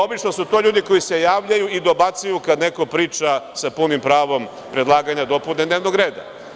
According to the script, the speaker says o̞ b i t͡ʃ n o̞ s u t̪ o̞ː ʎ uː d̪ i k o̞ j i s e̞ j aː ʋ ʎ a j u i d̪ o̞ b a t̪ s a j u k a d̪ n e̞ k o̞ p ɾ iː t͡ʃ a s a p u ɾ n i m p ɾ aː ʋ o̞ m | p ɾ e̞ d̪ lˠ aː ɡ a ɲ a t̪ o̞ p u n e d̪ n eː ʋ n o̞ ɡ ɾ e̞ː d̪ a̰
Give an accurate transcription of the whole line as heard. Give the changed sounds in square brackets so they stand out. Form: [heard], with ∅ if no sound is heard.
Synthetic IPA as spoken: o̞ b i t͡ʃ n o̞ s u t̪ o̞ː ʎ uː d̪ i k o̞ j i s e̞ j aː ʋ ʎ a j u i d̪ o̞ b a t̪ s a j u k a d̪ n e̞ k o̞ p ɾ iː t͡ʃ a s a p u [∅] n i m p ɾ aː ʋ o̞ m | p ɾ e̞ d̪ lˠ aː ɡ a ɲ a [d̪] o̞ p u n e d̪ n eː ʋ n o̞ ɡ ɾ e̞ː d̪ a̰